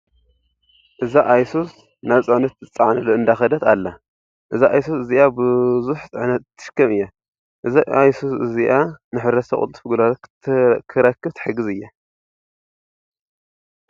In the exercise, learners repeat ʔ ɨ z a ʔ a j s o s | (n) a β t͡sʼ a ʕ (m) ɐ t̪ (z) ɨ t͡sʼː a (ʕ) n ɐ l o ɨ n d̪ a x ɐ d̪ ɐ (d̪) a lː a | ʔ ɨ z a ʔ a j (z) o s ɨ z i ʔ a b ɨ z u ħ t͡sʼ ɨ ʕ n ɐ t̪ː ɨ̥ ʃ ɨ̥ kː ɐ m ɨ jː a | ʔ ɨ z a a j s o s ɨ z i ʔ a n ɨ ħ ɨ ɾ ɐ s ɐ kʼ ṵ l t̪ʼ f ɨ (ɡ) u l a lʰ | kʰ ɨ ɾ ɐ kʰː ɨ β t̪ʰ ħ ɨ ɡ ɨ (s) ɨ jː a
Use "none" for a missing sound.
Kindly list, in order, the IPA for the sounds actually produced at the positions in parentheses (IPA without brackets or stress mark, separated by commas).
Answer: n, n, z, ʕ, t̪, s, ɡ, z